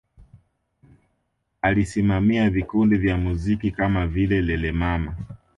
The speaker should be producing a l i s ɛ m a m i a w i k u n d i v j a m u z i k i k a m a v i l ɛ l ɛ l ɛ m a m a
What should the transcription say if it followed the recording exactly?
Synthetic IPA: a l i s i m a m i a v i k u n d i v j a m u z i k i k a m a v i l ɛ l ɛ l ɛ m a m a

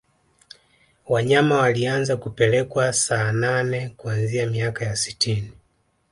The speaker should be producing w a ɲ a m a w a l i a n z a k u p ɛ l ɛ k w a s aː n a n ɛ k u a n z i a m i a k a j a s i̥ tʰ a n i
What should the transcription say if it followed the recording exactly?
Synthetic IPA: w a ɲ a m a w a l i a n z a k u p ɛ l ɛ k w a s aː n a n ɛ k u a n z i a m i a k a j a s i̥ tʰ i n i

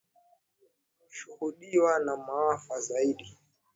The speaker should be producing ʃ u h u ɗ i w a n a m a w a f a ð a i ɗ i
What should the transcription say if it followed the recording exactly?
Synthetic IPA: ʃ u h u ɗ i w a n a m a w a f a z a i ɗ i

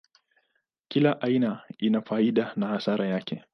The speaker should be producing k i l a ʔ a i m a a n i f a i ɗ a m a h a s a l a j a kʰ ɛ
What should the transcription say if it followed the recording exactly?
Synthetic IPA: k i l a ʔ a i n a i n a f a i ɗ a n a h a s a ɾ a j a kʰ ɛ

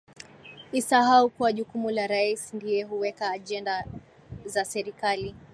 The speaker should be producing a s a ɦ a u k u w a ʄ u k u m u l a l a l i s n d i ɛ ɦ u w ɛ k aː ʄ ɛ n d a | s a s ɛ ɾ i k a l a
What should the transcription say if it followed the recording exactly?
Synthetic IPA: i s a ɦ a u k u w a ʄ u k u m u l a ɾ a i s n d i ɛ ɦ u w ɛ k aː ʄ ɛ n d a | z a s ɛ ɾ i k a l i

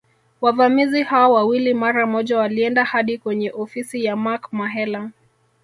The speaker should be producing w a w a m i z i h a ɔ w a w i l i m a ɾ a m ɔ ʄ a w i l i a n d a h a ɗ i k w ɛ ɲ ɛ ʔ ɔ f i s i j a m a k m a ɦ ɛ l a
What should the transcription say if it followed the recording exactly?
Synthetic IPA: w a v a m i z i h a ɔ w a w i l i m a ɾ a m ɔ ʄ a w a l i ɛ n d a h a ɗ i k w ɛ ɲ ɛ ʔ ɔ f i s i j a m a k m a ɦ ɛ l a

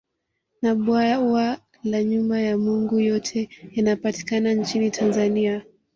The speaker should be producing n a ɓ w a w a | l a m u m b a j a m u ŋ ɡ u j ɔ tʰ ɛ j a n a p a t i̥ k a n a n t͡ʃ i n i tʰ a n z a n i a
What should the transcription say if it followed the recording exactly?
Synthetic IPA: n a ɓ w a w a | l a ɲ u m b a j a m u ŋ ɡ u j ɔ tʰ ɛ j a n a p a t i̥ k a n a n t͡ʃ i n i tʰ a n z a n i a

